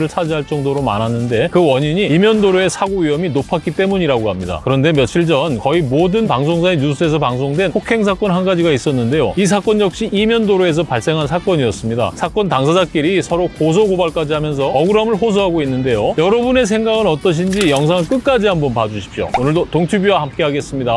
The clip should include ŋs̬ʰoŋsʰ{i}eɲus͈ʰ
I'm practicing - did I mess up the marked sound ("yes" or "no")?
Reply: yes